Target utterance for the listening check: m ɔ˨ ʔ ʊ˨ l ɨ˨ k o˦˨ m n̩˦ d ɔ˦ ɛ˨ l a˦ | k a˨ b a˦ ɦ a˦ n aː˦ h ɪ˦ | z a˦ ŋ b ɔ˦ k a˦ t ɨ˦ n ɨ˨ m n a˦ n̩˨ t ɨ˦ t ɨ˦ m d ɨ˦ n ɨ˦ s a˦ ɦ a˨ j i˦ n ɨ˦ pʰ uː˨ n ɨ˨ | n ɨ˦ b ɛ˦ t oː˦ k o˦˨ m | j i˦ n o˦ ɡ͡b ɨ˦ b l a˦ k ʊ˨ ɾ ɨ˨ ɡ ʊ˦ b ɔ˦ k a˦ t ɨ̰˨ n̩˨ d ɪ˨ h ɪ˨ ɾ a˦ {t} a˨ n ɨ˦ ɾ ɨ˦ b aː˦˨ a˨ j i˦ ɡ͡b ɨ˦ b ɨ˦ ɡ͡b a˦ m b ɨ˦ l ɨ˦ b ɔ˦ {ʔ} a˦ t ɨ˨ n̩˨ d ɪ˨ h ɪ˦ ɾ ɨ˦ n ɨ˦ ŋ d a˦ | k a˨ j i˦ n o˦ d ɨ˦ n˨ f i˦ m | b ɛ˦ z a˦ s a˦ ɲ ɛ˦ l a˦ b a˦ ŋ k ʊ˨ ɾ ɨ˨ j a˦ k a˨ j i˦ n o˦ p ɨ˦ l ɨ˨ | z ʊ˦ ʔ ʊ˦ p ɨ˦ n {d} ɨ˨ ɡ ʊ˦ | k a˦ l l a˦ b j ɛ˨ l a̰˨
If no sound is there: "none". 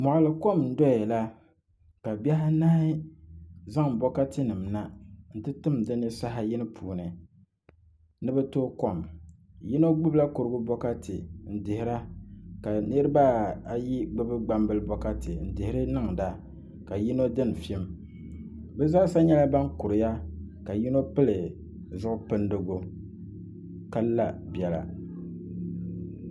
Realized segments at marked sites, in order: k, k, d

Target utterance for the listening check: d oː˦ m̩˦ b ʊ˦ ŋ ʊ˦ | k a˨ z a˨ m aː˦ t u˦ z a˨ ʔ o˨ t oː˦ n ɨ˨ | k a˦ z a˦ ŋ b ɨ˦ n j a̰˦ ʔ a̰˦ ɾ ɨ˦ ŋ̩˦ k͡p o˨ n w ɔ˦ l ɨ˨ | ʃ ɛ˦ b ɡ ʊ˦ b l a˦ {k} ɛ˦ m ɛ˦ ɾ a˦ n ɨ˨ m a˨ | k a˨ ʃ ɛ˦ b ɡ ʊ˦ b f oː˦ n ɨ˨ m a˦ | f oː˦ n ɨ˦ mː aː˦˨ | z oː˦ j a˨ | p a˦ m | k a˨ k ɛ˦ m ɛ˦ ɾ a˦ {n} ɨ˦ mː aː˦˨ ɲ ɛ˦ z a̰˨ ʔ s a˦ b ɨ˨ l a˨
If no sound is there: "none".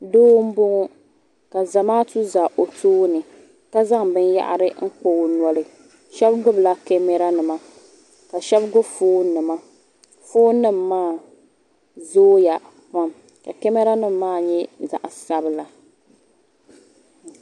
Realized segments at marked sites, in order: k, n

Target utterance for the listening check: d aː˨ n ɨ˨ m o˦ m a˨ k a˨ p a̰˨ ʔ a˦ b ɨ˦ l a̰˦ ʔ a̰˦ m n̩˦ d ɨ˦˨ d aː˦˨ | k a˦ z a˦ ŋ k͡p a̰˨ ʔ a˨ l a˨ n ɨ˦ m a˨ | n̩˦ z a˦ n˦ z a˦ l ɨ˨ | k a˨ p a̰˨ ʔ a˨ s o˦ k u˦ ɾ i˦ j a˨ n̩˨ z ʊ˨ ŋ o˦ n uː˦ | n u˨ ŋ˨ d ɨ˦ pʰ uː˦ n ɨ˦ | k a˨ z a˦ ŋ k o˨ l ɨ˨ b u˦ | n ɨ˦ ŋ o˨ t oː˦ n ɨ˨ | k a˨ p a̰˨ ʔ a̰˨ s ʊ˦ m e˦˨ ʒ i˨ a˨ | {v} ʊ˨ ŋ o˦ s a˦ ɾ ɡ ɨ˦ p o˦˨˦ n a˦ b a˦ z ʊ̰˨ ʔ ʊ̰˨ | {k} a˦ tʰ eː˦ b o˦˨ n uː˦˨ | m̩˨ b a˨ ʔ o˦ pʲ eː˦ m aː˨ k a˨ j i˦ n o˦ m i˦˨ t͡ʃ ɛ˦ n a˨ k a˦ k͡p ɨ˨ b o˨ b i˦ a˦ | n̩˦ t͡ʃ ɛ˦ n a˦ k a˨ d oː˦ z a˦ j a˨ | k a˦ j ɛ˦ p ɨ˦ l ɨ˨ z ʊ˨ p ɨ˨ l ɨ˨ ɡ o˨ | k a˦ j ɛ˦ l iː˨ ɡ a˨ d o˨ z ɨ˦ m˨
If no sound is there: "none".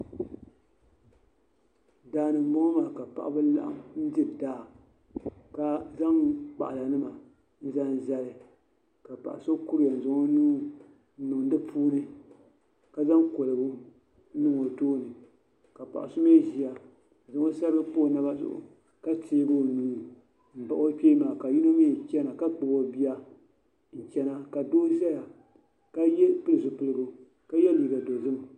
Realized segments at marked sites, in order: z, k

